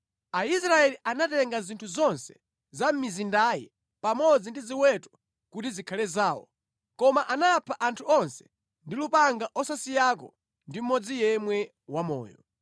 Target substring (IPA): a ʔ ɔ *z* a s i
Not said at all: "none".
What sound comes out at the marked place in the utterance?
s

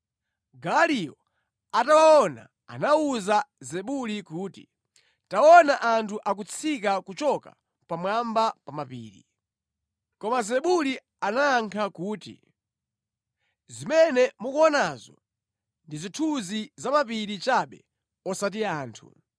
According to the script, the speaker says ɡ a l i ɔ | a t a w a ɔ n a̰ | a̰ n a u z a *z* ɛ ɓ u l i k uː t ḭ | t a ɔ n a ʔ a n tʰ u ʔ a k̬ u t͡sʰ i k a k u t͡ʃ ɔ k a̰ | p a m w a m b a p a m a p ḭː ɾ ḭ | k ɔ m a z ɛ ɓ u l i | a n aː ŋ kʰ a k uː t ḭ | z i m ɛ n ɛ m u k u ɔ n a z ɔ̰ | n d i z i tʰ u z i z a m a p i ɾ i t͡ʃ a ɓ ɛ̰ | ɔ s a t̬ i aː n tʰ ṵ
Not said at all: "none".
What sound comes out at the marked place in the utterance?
z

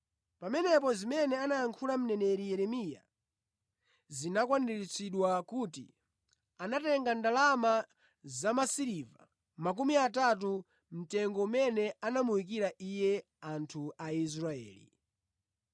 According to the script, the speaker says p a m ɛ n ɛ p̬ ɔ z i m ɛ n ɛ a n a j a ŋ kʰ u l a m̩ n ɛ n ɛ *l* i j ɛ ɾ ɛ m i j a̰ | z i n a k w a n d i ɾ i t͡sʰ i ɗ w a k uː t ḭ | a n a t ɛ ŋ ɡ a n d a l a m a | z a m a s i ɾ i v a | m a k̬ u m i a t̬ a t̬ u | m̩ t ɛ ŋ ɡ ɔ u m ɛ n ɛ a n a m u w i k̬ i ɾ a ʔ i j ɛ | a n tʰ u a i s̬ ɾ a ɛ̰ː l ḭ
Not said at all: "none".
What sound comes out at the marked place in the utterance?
ɾ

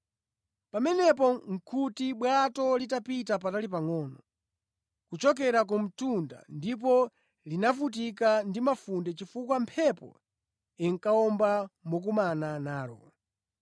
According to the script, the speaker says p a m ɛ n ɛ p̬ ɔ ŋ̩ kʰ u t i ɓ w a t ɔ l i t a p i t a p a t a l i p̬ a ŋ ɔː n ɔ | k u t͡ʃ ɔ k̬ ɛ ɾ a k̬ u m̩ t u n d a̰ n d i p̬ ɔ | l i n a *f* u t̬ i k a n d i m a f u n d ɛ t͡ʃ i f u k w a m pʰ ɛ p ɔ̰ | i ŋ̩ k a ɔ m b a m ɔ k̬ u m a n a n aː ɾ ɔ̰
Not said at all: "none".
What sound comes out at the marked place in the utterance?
f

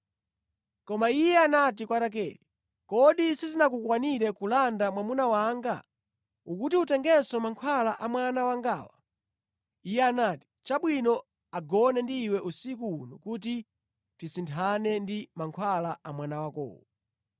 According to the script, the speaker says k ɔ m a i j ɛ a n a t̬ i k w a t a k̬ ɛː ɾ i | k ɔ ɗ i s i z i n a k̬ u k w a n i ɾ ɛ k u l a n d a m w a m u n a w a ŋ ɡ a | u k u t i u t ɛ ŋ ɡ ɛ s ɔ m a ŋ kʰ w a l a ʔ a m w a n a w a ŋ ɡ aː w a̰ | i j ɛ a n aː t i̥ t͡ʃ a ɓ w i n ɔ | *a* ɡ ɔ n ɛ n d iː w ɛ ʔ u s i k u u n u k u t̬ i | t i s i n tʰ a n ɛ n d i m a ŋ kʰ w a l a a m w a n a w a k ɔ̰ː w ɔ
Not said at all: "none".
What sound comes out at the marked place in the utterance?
a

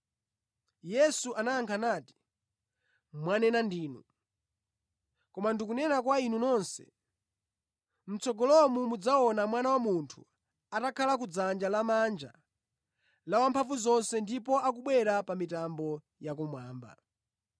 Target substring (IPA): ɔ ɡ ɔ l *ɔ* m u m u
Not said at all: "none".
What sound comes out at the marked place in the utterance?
ɔ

